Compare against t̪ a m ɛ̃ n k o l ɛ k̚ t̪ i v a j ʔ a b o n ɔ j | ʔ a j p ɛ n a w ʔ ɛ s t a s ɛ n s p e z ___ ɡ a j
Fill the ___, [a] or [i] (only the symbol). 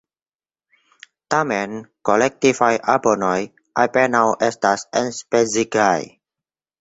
i